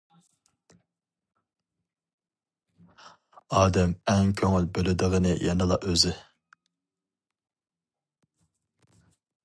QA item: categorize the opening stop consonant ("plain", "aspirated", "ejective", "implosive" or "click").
plain